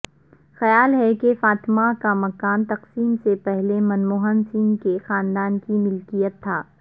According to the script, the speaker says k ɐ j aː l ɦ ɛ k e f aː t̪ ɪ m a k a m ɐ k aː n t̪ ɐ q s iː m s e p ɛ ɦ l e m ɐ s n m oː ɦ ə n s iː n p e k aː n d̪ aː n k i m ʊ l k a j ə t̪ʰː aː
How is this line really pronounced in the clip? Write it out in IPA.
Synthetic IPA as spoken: x ɐ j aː l ɦ ɛ k e f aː t̪ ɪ m a k a m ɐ k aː n t̪ ɐ q s iː m s e p ɛ ɦ l e m ɐ n m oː ɦ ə n s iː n k e x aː n d̪ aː n k i m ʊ l k i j ə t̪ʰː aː